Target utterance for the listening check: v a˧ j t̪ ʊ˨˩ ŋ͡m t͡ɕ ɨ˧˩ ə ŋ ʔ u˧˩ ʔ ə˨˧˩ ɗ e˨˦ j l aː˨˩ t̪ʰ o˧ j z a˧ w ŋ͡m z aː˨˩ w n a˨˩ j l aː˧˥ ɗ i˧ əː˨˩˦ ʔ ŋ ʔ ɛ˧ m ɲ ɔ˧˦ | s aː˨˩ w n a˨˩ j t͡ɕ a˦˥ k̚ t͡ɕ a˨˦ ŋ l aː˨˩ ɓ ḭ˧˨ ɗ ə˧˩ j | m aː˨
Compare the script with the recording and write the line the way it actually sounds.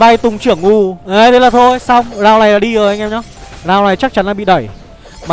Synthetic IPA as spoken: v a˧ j t̪ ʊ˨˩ ŋ͡m t͡ɕ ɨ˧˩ ə ŋ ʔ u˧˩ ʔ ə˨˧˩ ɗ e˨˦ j l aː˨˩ t̪ʰ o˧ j s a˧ w ŋ͡m z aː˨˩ w n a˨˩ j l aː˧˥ ɗ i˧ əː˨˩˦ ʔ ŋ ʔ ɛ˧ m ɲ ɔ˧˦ | z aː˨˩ w n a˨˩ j t͡ɕ a˦˥ k̚ t͡ɕ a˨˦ n l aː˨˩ ɓ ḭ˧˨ ɗ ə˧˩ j | m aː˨

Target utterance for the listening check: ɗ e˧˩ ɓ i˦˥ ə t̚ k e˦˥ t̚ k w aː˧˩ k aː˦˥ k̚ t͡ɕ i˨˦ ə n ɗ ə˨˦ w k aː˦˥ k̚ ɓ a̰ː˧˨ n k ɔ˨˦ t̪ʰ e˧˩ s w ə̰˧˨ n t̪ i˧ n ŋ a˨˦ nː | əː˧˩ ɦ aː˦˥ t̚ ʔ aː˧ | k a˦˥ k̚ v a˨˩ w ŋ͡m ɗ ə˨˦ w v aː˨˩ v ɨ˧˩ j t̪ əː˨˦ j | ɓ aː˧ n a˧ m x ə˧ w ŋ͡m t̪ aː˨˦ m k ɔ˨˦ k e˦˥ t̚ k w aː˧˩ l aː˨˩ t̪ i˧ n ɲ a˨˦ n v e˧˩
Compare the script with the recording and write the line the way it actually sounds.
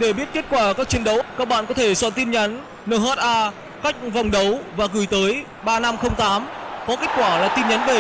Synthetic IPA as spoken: ɗ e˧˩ ɓ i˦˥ ə t̚ k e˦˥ t̚ k w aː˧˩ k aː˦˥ k̚ t͡ɕ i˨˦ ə n ɗ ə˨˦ w k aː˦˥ k̚ ɓ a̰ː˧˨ n k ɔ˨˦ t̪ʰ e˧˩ s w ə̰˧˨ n t̪ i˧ n ɲ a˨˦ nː | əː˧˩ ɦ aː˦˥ t̚ ʔ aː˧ | k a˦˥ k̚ v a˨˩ w ŋ͡m ɗ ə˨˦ w v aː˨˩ ɣ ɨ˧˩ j t̪ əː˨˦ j | ɓ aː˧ n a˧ m x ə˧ w ŋ͡m t̪ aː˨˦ m k ɔ˨˦ k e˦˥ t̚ k w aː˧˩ l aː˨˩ t̪ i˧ n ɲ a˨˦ n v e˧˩

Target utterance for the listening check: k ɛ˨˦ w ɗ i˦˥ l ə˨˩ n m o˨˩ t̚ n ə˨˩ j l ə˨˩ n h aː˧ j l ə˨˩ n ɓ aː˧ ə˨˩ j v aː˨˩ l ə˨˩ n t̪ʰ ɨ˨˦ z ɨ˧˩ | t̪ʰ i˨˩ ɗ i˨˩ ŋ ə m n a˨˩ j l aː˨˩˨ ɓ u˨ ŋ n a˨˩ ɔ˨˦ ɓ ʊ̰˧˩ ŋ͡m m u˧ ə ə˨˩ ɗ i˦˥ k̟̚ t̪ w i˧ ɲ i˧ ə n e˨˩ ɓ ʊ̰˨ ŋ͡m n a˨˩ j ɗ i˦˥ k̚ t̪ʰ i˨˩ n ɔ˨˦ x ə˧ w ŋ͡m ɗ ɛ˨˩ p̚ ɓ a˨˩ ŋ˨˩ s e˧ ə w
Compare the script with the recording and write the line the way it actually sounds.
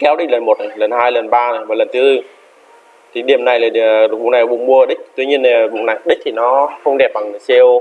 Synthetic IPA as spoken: k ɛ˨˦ w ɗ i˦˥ l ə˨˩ n m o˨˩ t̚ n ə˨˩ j l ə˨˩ n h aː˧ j l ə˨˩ n ɓ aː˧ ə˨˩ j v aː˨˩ l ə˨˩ n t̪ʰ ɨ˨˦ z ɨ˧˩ | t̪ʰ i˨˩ ɗ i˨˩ ə m n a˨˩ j l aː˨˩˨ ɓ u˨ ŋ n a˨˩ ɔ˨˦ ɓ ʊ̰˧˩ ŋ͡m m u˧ ə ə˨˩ ɗ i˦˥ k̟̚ t̪ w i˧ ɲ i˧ ə n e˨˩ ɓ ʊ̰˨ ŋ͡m n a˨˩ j ɗ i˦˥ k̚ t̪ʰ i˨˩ n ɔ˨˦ x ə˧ w ŋ͡m ɗ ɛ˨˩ p̚ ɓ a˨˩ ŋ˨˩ s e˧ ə w

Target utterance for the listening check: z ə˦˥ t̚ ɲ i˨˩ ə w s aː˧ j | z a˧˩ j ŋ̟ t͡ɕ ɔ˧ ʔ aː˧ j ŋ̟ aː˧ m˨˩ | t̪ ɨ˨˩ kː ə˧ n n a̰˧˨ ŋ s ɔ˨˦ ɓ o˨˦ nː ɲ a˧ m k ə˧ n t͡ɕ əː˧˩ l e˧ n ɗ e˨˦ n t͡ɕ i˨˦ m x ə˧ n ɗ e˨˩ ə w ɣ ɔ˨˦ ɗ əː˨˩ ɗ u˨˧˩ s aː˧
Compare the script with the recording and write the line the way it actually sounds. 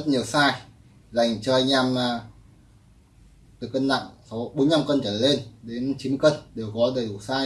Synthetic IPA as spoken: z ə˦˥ t̚ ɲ i˨˩ ə w s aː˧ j | z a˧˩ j ŋ̟ t͡ɕ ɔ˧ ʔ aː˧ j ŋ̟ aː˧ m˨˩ | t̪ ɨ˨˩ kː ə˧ n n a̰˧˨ ŋ s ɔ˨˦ ɓ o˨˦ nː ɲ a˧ m k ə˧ n t͡ɕ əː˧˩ l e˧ n ɗ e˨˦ n t͡ɕ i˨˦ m k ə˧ n ɗ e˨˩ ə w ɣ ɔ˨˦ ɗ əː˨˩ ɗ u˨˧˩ s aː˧

